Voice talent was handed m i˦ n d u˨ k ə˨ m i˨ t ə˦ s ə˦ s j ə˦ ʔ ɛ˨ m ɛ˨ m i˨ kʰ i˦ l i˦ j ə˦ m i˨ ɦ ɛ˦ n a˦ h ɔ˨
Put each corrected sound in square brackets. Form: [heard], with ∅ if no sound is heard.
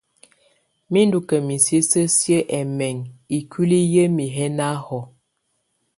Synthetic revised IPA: m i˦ n d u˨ k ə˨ m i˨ [s] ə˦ s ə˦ s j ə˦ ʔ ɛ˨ m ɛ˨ [ŋ] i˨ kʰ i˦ l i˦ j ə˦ m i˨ ɦ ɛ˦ n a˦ h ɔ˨